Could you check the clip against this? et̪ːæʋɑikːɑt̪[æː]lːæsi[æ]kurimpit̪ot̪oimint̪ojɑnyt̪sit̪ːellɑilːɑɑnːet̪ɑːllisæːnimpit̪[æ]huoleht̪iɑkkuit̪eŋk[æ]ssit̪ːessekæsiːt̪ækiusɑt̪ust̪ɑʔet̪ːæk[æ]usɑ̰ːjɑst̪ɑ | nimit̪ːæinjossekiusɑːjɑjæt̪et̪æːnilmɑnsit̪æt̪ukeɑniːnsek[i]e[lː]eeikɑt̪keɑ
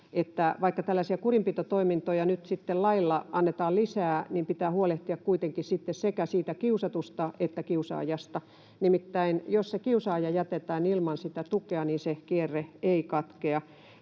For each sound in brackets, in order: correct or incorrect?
incorrect: æ, correct, incorrect: æː, incorrect: i, incorrect: i, correct, incorrect: rː

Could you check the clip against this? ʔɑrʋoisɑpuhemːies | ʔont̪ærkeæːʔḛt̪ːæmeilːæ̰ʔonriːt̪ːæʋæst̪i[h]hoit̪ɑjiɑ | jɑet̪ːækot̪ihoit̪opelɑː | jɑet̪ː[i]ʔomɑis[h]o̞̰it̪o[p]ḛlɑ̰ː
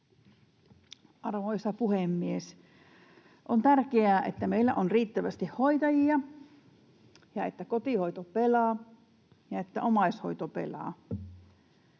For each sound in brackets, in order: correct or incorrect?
correct, incorrect: æ, correct, correct

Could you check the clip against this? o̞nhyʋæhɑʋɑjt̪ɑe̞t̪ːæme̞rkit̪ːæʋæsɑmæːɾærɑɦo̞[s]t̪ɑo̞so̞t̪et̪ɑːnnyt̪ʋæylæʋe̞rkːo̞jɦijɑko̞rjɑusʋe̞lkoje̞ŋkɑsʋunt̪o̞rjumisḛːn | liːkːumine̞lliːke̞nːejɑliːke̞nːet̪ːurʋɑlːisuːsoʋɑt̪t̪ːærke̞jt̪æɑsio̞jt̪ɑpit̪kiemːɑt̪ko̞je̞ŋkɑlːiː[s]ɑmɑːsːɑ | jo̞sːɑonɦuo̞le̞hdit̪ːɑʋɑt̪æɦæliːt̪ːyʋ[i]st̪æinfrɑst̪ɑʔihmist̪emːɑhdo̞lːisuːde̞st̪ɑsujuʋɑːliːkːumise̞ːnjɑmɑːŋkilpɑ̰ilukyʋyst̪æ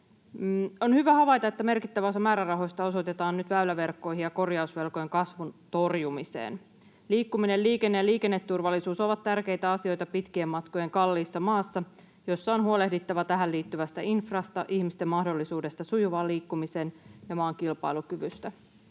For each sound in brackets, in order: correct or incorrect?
correct, incorrect: sː, incorrect: æ

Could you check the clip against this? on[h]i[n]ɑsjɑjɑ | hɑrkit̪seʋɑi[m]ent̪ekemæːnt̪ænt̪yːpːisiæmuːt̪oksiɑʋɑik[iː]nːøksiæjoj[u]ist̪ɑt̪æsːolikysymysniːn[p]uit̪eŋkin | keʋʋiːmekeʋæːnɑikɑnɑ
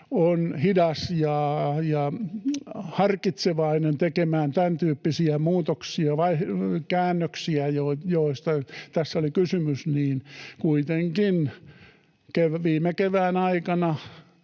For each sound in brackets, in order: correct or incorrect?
correct, incorrect: d, incorrect: n, incorrect: æː, incorrect: o, incorrect: k

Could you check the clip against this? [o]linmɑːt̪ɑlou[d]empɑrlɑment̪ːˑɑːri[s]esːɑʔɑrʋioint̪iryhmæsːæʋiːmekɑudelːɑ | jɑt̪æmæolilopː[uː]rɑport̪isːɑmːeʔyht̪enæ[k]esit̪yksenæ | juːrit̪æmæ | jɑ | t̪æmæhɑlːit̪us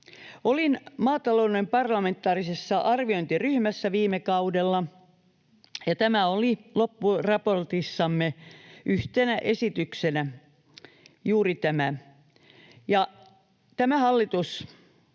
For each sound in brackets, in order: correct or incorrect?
correct, incorrect: n, correct, incorrect: u, incorrect: ʔ

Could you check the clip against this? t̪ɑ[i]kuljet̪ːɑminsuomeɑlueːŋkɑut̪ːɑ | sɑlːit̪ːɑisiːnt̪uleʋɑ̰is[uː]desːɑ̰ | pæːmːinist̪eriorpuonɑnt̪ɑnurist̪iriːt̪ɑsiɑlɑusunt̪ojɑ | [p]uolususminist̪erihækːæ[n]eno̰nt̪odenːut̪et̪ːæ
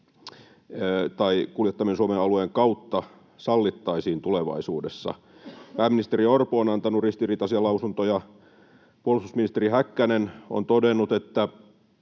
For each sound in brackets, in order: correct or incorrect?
correct, correct, correct, correct

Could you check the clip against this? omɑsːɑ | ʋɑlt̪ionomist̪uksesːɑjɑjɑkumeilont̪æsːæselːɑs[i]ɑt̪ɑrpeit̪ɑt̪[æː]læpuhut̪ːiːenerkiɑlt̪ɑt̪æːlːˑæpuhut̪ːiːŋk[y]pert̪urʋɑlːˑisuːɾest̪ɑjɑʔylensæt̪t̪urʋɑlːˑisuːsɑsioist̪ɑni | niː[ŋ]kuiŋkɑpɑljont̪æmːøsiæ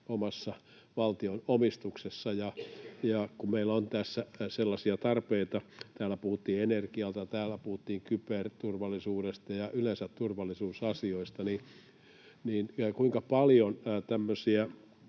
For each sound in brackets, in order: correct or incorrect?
correct, correct, correct, incorrect: n

